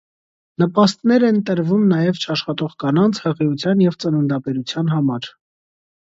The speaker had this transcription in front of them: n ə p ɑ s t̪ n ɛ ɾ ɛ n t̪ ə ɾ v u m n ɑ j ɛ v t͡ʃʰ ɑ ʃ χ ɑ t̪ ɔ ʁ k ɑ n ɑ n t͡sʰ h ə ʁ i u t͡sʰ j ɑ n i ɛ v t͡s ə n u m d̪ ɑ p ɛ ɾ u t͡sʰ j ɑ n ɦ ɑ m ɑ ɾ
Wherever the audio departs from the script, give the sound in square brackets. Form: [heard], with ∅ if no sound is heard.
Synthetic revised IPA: n ə p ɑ s t̪ n ɛ ɾ ɛ n t̪ ə ɾ v u m n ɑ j ɛ v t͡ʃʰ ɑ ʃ χ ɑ t̪ ɔ ʁ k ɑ n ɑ n t͡sʰ h ə ʁ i u t͡sʰ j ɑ n [j] ɛ v t͡s ə n u [n] d̪ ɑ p ɛ ɾ u t͡sʰ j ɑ n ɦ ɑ m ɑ ɾ